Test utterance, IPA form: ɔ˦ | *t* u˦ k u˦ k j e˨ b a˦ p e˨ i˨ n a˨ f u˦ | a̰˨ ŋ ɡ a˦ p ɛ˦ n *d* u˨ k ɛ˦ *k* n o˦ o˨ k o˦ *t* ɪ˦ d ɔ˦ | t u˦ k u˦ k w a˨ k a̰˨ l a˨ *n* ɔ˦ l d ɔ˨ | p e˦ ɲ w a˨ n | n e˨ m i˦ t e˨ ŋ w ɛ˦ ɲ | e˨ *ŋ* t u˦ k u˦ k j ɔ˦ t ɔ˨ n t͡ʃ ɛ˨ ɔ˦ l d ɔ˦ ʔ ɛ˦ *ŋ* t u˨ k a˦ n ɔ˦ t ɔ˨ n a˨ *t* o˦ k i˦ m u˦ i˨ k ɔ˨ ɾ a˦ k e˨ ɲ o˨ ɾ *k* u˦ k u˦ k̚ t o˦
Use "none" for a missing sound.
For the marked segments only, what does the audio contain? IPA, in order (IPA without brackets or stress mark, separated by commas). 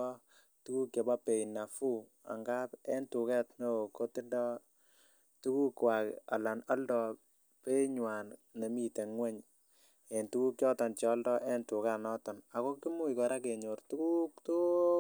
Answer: t, t, t, t, n, n, n, k, t